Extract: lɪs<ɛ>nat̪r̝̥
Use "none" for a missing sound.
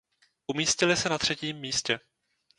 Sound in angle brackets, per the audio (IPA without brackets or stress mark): ɛ